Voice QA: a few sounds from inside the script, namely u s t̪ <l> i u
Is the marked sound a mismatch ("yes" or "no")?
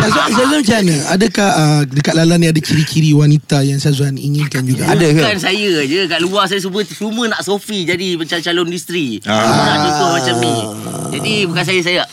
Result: yes